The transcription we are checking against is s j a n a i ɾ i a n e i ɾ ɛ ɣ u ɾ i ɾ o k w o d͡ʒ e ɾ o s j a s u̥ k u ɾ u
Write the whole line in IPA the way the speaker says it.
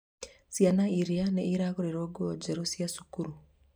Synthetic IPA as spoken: s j a n a i ɾ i a n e i ɾ a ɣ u ɾ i ɾ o ɡ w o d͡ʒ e ɾ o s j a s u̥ k u ɾ u